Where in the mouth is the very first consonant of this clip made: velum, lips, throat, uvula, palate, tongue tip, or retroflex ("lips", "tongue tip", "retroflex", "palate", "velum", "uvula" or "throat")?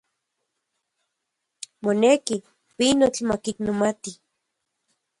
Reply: lips